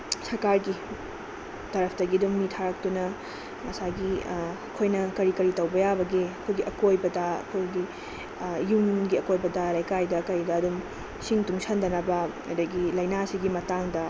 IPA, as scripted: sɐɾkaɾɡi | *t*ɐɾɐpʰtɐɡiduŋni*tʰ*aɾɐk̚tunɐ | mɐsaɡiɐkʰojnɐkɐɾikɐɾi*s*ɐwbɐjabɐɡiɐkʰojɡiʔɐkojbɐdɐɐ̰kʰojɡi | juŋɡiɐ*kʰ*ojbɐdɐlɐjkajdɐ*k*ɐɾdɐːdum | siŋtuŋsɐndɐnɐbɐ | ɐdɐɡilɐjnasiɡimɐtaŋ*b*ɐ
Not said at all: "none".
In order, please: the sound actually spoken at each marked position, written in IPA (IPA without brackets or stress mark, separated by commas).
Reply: t, tʰ, t, k, k, d